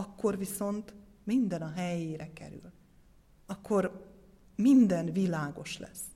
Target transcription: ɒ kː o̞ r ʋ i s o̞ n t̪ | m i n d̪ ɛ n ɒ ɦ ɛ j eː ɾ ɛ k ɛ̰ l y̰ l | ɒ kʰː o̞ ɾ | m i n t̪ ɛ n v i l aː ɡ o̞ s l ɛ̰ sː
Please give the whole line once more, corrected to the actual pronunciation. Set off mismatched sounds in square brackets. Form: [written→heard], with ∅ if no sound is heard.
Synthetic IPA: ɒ kː o̞ r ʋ i s o̞ n t̪ | m i n d̪ ɛ n ɒ ɦ ɛ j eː ɾ ɛ k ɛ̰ [l→ɾ] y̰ l | ɒ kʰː o̞ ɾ | m i n [t̪→d̪] ɛ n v i l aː ɡ o̞ [s→ʃ] l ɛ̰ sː